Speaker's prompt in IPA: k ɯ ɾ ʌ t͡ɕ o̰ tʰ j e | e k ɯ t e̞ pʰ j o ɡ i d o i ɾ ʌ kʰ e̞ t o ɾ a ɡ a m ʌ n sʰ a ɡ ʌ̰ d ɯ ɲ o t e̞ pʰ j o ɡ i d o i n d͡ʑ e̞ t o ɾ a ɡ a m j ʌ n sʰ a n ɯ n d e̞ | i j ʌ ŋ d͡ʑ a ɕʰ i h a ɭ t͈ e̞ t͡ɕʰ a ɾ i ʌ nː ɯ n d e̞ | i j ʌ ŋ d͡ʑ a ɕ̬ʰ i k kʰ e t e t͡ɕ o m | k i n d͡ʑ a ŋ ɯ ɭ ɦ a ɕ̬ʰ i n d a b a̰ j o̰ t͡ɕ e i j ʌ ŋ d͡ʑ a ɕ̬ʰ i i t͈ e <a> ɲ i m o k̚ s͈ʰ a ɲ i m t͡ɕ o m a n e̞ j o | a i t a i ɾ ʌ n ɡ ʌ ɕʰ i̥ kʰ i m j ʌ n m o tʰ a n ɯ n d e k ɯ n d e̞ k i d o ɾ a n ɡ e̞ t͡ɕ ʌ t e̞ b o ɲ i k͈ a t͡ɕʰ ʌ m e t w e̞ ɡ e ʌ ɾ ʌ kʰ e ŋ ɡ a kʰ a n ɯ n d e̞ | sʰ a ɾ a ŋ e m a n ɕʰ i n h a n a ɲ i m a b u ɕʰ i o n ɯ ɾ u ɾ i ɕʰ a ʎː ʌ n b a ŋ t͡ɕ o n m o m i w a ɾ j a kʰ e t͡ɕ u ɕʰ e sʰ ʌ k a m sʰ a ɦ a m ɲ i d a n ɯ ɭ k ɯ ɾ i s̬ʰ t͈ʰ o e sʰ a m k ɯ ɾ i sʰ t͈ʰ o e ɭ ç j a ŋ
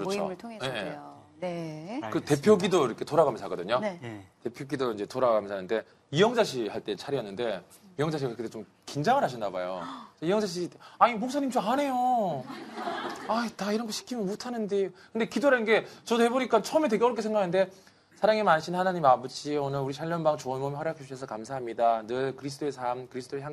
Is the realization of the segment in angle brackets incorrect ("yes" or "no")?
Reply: no